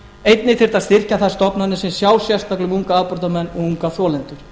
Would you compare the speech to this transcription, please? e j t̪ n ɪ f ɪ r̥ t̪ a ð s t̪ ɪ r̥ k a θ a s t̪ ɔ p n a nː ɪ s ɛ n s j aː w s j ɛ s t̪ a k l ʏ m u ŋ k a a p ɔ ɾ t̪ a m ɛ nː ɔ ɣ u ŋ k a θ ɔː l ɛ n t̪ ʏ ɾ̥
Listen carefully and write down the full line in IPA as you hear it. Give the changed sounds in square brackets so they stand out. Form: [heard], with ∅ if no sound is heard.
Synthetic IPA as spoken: e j t̪ n ɪ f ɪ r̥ t̪ a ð s t̪ ɪ r̥ [c] a θ a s t̪ ɔ p n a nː ɪ s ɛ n s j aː w s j ɛ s t̪ a k l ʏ m u ŋ k a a p ɔ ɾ t̪ a m ɛ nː ɔ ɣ u ŋ k a θ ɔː l ɛ n t̪ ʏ ɾ̥